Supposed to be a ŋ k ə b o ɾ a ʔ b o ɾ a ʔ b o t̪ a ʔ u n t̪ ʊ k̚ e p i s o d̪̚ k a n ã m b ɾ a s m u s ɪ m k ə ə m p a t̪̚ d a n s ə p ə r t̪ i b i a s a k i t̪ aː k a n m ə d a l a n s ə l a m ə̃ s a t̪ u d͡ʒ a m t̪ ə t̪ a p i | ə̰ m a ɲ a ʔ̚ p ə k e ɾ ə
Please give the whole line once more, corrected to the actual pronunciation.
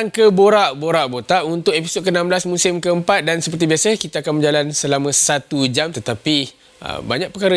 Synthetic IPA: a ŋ k ə b o ɾ a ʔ b o ɾ a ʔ b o t̪ a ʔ u n t̪ ʊ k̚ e p i s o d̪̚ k ə n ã m b l a s m u s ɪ m k ə ə m p a t̪̚ d a n s ə p ə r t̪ i b i a s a k i t̪ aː k a n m ə d͡ʒ a l a n s ə l a m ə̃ s a t̪ u d͡ʒ a m t̪ ə t̪ a p i | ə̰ b a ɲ a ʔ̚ p ə k a ɾ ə